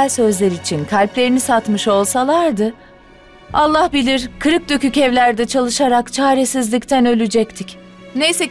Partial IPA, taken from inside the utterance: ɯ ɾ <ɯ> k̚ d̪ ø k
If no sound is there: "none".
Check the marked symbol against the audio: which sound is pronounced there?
ɯ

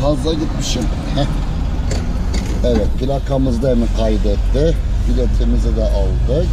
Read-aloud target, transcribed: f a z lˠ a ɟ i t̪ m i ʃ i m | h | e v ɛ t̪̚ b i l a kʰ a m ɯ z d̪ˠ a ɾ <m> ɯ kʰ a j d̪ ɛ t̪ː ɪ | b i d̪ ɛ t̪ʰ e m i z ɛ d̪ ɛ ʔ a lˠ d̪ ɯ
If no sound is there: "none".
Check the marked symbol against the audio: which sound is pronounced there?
n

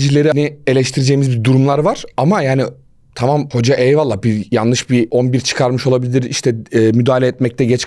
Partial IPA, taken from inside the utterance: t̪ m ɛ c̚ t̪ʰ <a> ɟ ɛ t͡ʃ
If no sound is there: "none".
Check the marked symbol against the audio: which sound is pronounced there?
ɛ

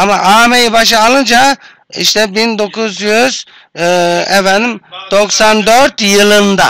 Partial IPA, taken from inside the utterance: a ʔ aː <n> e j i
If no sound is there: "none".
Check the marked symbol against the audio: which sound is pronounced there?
m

